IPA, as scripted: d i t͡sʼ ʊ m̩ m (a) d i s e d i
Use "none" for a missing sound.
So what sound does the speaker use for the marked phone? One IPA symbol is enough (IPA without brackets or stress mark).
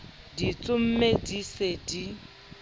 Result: e